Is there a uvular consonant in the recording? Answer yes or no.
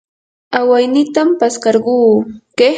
yes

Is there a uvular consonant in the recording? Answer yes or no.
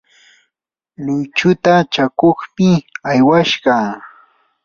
yes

